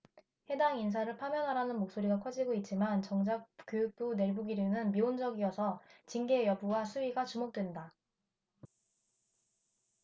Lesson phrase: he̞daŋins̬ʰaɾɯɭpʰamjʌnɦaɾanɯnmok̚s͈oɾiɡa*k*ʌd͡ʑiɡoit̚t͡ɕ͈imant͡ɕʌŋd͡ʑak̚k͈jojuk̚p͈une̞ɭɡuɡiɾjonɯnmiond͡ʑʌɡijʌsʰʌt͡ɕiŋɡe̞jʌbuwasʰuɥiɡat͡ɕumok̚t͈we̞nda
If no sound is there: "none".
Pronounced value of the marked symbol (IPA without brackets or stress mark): kʰ